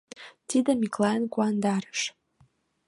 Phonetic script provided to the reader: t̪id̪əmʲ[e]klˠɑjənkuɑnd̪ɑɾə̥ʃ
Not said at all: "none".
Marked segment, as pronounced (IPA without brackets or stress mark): i